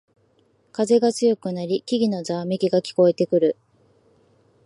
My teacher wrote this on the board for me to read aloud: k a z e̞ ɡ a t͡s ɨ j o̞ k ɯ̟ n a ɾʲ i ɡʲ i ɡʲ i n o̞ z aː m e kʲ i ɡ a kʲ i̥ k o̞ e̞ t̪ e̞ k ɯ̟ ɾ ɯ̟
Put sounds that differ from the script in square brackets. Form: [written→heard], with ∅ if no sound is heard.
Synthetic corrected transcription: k a z e̞ ɡ a t͡s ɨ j o̞ k ɯ̟ n a ɾʲ i [ɡʲ→kʲ] i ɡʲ i n o̞ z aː m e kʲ i ɡ a kʲ i̥ k o̞ e̞ t̪ e̞ k ɯ̟ ɾ ɯ̟